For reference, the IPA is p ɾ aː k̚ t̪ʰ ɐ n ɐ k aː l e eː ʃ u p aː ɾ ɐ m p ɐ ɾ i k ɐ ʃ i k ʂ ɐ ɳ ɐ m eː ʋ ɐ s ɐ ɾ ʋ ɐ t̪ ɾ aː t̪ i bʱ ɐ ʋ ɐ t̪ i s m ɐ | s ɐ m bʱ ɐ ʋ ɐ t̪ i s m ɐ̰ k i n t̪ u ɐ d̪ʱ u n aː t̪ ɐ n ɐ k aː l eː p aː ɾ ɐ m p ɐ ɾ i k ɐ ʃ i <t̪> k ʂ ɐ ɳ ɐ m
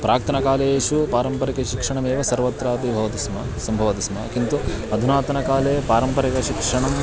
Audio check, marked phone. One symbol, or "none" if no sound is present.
none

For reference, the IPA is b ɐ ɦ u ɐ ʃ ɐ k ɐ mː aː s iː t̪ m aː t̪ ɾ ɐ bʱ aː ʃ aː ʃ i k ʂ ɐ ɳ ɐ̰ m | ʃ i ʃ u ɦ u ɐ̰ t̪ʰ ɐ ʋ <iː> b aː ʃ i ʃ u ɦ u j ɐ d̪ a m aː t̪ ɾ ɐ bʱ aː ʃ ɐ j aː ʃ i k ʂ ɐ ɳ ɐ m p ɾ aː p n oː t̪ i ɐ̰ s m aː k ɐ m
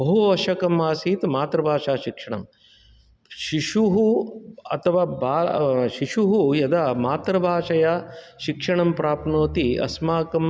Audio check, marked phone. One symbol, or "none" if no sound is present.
aː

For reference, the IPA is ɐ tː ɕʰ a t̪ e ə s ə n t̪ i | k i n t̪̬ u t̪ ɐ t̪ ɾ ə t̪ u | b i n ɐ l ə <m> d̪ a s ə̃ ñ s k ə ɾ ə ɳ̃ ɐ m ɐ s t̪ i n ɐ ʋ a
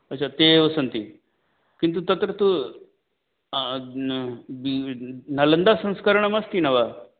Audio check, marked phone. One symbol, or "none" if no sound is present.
n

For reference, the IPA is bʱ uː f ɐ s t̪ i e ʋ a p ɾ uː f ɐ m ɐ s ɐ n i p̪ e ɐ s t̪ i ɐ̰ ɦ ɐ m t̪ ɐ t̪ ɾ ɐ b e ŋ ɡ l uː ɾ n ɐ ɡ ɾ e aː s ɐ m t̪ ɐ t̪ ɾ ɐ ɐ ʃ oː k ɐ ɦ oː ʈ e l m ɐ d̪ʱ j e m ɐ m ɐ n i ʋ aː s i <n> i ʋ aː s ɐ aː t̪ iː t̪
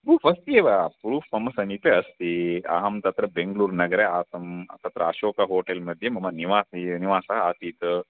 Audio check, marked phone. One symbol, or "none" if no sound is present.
n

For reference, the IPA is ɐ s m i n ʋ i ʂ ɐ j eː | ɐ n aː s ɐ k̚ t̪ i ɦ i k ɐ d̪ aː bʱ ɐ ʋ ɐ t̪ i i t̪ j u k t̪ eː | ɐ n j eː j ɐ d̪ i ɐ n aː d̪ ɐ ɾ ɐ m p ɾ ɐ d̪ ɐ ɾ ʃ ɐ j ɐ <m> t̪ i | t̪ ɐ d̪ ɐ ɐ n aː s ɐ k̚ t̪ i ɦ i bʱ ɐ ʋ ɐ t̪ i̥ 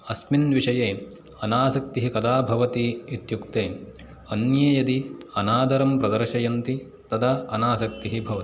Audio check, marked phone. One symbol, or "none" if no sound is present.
n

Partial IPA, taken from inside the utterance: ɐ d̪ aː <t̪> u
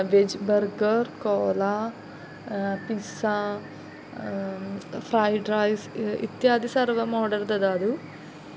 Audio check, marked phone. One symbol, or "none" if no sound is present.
d̪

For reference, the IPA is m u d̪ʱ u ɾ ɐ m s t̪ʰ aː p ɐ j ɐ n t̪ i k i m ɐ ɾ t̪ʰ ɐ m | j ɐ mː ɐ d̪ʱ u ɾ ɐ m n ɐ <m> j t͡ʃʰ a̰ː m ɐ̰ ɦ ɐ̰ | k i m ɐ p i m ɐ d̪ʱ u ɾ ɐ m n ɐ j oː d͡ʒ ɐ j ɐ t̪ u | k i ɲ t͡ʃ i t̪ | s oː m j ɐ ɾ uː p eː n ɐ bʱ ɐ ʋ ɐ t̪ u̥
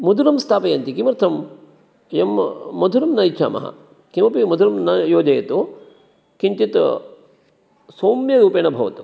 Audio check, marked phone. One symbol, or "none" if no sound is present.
none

